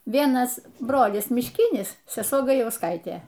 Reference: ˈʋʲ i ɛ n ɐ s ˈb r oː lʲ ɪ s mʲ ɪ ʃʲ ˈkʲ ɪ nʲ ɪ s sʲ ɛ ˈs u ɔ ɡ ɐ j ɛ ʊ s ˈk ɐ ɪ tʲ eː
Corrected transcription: ˈʋʲ i ɛ n ɐ s ˈb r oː lʲ ɪ s mʲ ɪ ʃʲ ˈkʲ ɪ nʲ ɪ s sʲ ɛ ˈs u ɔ ɡ ɐ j ɛ ʊ s ˈk ɐ ɪ tʲ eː